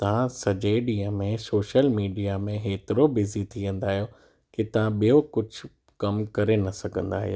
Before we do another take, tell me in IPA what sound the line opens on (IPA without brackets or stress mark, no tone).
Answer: t̪